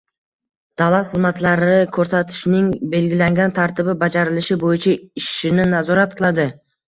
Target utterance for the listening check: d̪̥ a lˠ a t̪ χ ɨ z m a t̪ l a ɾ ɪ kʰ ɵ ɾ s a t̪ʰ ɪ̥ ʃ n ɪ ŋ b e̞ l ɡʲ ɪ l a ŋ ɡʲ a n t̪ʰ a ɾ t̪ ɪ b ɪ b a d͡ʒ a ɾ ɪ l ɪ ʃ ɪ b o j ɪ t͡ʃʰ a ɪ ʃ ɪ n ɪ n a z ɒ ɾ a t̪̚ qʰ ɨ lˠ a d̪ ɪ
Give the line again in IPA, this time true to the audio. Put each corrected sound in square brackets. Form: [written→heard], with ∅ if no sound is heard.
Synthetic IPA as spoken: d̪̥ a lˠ a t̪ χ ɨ z m a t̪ l a ɾ ɪ kʰ ɵ ɾ s a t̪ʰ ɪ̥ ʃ n ɪ ŋ b e̞ l ɡʲ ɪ l a ŋ ɡʲ a n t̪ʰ a ɾ t̪ ɪ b ɪ b a d͡ʒ a ɾ ɪ l ɪ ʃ ɪ b o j ɪ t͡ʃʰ a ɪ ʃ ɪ n ɪ n a z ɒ ɾ a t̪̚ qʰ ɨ lˠ a d̪ ɪ

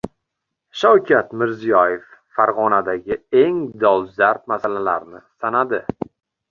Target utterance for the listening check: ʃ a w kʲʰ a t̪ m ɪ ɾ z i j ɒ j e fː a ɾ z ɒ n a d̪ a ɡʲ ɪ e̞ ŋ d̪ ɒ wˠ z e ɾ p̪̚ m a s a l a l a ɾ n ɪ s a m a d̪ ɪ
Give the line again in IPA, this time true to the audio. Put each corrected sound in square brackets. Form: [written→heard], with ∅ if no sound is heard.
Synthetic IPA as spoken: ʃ a w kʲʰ a t̪ m ɪ ɾ z i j ɒ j e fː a ɾ [z→ʁ] ɒ n a d̪ a ɡʲ ɪ e̞ ŋ d̪ ɒ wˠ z [e→a] ɾ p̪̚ m a s a l a l a ɾ n ɪ s a [m→n] a d̪ ɪ

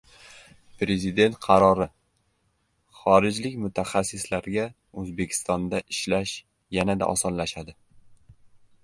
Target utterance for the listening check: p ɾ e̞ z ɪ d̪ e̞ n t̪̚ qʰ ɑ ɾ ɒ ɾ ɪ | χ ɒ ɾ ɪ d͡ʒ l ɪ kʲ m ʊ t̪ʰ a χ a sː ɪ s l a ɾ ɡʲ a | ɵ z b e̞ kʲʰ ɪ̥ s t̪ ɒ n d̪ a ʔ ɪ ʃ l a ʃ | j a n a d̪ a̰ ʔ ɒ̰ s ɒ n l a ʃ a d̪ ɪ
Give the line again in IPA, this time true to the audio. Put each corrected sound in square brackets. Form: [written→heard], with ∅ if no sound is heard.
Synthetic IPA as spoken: p ɾ e̞ z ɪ d̪ e̞ n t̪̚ qʰ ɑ ɾ ɒ ɾ ɪ | χ ɒ ɾ ɪ d͡ʒ l ɪ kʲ m ʊ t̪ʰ a χ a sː ɪ s l a ɾ ɡʲ a | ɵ z b e̞ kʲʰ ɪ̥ s t̪ ɒ n d̪ a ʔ ɪ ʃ l a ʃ | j a n a d̪ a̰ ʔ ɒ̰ s ɒ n l a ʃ a d̪ ɪ

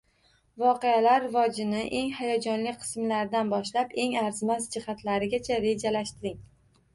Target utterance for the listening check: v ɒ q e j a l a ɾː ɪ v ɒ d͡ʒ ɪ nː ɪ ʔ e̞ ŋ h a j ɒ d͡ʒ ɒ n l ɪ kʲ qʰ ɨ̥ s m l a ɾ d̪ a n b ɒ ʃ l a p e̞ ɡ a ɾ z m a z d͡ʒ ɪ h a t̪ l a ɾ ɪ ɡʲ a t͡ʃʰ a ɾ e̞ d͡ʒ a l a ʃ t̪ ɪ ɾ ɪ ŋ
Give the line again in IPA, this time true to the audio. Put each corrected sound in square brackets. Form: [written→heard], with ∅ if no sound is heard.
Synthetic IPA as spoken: v ɒ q e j a l a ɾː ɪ v ɒ d͡ʒ ɪ [nː→n] ɪ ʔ e̞ ŋ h a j ɒ d͡ʒ ɒ n l ɪ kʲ qʰ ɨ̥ s m l a ɾ d̪ a n b ɒ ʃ l a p e̞ [ɡ→ŋ] a ɾ z m a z d͡ʒ ɪ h a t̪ l a ɾ ɪ ɡʲ a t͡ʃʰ a ɾ e̞ d͡ʒ a l a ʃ t̪ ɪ ɾ ɪ ŋ

